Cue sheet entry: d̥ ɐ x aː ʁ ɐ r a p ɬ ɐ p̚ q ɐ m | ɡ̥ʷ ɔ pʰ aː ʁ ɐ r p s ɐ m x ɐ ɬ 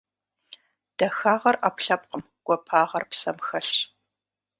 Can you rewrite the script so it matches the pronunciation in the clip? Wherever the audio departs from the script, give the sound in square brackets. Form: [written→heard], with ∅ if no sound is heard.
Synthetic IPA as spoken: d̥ ɐ x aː ʁ ɐ r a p ɬ ɐ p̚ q [ɐ→ə] m | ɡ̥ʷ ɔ pʰ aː ʁ ɐ r p s ɐ m x ɐ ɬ